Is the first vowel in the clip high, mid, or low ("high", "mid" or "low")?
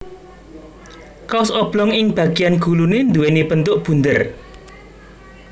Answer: low